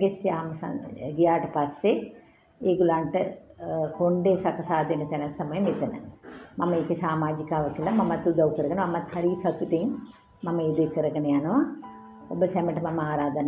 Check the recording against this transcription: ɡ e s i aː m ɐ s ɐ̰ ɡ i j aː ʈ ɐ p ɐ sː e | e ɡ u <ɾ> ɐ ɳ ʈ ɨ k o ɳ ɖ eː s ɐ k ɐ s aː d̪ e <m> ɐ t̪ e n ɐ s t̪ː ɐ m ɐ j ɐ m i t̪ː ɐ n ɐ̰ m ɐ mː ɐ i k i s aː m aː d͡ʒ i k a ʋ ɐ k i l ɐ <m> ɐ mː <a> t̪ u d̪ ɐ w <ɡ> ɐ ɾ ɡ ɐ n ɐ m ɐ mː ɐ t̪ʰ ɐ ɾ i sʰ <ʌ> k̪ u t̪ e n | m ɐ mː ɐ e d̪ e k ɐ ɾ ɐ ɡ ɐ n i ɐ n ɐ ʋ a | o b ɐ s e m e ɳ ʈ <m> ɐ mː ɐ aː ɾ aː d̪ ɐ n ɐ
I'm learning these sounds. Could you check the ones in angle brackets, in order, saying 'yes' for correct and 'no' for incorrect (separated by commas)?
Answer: no, no, yes, no, no, no, yes